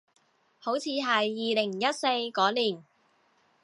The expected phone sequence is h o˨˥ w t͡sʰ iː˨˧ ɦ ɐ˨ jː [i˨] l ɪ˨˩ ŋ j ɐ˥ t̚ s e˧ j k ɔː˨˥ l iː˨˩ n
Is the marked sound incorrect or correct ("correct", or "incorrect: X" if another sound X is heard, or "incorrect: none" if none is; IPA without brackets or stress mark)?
incorrect: iː˨